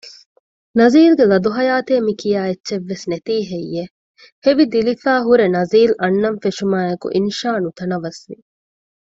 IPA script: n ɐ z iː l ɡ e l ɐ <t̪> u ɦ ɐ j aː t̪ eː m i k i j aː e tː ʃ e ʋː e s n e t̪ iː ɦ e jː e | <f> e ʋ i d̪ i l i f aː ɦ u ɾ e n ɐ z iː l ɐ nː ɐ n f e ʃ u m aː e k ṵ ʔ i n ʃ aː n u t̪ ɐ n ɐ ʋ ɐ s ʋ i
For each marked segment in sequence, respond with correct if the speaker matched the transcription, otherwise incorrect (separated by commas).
incorrect, incorrect